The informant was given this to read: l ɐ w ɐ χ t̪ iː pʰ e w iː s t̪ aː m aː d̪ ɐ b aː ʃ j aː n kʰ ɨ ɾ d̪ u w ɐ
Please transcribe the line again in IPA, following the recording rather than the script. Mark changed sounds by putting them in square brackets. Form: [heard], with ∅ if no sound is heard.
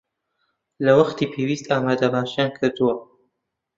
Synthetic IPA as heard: l ɐ w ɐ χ t̪ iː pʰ e w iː s t̪ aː m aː d̪ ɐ b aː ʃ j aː n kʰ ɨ ɾ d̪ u w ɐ